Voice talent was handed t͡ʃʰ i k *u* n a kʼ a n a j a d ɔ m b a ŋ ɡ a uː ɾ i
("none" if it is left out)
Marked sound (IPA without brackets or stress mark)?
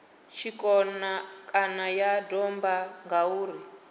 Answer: ɔ